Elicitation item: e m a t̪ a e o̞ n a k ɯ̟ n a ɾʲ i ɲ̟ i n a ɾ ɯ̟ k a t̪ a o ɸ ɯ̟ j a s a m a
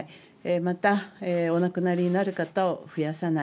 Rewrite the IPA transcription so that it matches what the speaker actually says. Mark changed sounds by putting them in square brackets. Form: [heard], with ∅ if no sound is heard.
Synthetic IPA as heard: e m a t̪ a e o̞ n a k ɯ̟ n a ɾʲ i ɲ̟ i n a ɾ ɯ̟ k a t̪ a o ɸ ɯ̟ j a s a [n] a